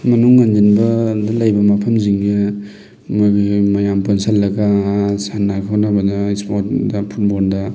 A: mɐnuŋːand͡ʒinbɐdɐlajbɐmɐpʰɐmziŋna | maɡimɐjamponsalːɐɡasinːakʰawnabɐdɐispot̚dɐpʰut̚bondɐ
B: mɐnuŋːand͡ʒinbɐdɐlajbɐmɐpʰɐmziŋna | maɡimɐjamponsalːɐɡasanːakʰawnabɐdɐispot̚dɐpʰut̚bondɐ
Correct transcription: B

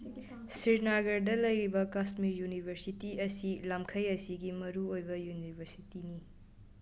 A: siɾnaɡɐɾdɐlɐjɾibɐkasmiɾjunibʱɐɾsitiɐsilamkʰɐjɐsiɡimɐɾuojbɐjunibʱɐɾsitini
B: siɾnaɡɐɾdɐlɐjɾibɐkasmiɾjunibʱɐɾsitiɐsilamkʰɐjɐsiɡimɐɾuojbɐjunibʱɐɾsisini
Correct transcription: A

